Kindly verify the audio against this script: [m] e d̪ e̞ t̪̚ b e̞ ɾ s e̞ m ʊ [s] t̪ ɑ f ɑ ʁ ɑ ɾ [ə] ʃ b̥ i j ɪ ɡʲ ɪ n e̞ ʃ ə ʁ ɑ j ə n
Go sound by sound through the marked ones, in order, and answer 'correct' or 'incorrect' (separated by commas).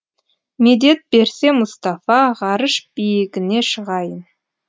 correct, correct, correct